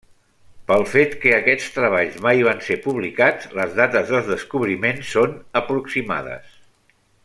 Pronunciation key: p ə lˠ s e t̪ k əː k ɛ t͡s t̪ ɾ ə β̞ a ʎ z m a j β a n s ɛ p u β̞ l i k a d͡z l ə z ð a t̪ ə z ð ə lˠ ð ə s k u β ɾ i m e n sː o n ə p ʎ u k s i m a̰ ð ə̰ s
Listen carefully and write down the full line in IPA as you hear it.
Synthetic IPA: p ə lˠ f e t̪ k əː k ɛ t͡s t̪ ɾ ə β̞ a ʎ z m a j β a n s e p u β̞ l i k a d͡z l ə z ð a t̪ ə z ð ə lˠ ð ə s k u β ɾ i m e n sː o n ə p ɾ u k s i m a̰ ð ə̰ s